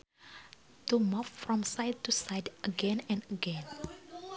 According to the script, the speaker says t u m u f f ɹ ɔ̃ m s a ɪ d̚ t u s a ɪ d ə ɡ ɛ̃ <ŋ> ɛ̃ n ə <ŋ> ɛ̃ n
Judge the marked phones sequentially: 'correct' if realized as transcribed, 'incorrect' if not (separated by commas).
incorrect, incorrect